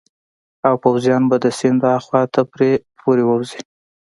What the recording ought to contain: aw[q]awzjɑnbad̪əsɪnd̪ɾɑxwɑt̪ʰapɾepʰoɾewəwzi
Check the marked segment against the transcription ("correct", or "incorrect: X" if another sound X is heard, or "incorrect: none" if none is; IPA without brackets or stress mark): incorrect: p